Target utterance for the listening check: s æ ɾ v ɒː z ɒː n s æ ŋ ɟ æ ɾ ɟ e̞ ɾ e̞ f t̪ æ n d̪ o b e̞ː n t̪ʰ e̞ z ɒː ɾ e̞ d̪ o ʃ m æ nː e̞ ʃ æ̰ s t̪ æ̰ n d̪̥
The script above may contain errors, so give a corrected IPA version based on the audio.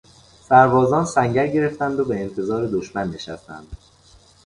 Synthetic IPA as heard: s æ ɾ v ɒː z ɒː n s æ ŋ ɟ æ ɾ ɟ e̞ ɾ e̞ f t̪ æ n d̪ o b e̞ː n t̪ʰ e̞ z ɒː ɾ e̞ d̪ o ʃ m æ nː e̞ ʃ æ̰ s t̪ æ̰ n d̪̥